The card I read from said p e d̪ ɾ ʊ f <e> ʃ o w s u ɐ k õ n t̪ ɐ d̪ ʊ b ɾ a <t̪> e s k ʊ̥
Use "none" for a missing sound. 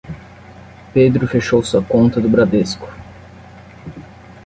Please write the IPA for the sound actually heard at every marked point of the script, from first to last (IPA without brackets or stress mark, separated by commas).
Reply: e, d̪